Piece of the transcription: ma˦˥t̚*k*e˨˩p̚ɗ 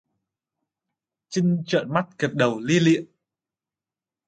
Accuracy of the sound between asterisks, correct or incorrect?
correct